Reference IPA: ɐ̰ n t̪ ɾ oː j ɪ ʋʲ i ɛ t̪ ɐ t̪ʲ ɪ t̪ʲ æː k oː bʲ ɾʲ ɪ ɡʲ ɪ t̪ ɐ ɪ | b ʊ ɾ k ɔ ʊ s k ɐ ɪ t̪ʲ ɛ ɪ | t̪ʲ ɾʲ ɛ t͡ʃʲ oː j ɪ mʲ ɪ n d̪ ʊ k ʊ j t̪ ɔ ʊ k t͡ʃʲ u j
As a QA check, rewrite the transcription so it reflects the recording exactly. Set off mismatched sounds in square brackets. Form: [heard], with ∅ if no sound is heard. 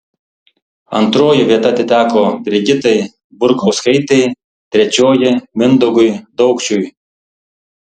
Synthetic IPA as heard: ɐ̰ n t̪ ɾ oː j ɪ ʋʲ i ɛ t̪ ɐ t̪ʲ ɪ t̪ʲ æː k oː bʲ ɾʲ ɪ ɡʲ ɪ t̪ ɐ ɪ | b ʊ ɾ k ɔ ʊ s k ɐ ɪ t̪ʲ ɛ ɪ | t̪ʲ ɾʲ ɛ t͡ʃʲ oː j ɪ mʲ ɪ n d̪ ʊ [ɡ] ʊ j [d̪] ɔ ʊ k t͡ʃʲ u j